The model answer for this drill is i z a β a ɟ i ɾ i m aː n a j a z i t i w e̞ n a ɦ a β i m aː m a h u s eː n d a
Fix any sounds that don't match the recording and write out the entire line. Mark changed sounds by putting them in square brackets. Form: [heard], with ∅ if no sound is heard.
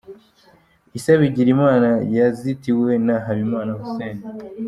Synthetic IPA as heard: i [s] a β [i] ɟ i ɾ i m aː n a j a z i t i w e̞ n a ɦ a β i m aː [n] a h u s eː n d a